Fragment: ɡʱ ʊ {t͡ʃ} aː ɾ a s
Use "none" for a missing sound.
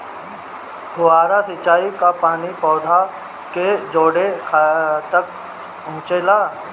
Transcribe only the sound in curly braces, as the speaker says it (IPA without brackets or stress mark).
none